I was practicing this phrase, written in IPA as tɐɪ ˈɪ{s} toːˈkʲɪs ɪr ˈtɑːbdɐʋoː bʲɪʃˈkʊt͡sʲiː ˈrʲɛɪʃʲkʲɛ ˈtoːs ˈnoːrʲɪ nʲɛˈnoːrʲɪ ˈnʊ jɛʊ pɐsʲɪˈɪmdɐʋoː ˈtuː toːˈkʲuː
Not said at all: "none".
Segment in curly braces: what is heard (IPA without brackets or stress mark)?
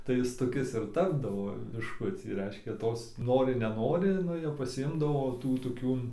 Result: s